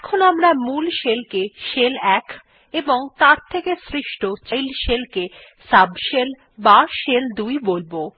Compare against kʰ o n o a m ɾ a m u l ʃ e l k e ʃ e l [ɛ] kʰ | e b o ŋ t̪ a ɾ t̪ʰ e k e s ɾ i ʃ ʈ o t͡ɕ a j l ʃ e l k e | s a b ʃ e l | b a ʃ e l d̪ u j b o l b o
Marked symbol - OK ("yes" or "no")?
yes